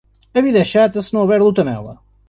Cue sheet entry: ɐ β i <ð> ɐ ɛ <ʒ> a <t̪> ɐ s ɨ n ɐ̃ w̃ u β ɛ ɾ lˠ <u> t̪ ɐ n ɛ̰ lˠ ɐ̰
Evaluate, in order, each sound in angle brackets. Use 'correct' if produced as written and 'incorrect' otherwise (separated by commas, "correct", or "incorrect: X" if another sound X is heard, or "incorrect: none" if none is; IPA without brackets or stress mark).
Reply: correct, incorrect: ʃ, correct, correct